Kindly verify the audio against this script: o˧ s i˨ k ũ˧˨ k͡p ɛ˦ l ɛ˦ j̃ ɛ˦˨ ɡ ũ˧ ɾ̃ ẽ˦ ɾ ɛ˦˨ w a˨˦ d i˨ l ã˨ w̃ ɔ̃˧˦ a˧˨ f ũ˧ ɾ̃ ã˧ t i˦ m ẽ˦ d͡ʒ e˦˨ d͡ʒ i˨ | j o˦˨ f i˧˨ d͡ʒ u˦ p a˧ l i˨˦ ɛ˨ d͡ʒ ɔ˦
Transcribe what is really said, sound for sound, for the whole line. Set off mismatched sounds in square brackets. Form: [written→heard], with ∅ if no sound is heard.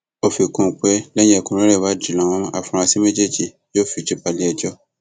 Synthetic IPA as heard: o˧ [s→f] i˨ k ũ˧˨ k͡p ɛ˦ l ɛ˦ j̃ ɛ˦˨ [ɡ→k] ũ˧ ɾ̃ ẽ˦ ɾ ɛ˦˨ w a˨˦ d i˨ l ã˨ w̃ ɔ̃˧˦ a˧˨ f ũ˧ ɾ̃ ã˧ [t→s] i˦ m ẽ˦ d͡ʒ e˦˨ d͡ʒ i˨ | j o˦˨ f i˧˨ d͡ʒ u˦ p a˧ l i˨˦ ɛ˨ d͡ʒ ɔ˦